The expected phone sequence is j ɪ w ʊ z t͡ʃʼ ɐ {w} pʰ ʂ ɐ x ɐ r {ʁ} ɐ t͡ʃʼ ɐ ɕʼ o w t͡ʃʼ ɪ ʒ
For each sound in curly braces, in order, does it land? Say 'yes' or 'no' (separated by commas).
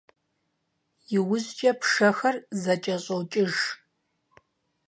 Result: no, no